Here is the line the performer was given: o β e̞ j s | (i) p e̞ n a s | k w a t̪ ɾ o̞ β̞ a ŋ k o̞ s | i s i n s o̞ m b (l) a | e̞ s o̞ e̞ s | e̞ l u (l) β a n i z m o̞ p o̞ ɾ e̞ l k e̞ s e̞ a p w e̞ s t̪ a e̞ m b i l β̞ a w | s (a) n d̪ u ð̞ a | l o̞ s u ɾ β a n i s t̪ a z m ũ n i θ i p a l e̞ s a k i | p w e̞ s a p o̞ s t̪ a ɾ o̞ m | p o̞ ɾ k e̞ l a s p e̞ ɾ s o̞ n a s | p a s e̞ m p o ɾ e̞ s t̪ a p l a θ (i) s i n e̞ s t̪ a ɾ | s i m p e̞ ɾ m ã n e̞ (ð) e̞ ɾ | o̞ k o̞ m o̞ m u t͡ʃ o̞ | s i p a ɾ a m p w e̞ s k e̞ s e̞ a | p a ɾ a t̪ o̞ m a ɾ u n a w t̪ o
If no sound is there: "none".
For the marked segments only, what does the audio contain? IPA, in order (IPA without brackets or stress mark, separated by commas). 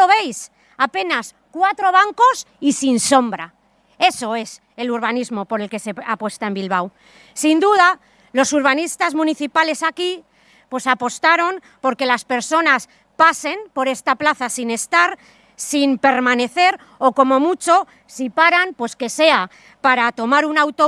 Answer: a, ɾ, ɾ, i, a, θ